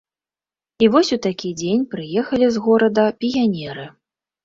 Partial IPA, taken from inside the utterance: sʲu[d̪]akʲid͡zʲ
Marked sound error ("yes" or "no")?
yes